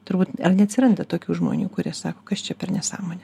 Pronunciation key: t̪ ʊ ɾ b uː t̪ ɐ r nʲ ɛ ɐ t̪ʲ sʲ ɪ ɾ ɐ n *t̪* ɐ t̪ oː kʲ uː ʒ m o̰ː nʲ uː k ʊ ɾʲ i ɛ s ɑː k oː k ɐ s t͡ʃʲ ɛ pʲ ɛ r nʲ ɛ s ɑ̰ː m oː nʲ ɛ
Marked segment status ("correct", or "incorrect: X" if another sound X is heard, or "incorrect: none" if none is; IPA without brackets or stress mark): incorrect: d̪